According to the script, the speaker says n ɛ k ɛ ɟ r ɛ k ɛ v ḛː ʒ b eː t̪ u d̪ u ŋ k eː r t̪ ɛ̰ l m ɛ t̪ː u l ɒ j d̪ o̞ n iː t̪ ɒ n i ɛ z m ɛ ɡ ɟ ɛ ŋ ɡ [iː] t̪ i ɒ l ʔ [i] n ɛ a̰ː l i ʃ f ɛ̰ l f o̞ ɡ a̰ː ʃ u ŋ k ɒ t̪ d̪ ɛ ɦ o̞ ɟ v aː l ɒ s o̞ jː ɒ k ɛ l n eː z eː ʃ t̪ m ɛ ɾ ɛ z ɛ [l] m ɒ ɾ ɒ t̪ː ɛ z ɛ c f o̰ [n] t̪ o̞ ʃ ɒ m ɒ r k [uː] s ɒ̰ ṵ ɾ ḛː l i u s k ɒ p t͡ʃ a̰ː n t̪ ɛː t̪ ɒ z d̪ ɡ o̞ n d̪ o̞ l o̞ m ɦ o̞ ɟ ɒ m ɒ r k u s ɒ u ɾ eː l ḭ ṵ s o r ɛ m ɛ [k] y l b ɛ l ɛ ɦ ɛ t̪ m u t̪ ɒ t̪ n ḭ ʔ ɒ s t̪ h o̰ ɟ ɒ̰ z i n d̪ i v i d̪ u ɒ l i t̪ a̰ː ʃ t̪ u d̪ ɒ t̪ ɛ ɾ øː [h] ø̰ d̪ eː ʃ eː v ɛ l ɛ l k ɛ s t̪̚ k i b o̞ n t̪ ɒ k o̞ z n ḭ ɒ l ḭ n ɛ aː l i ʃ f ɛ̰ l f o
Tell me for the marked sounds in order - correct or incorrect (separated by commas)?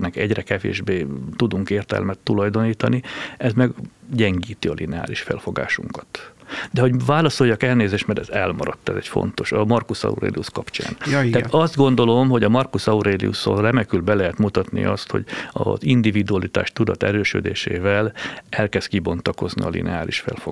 correct, correct, correct, correct, incorrect, correct, incorrect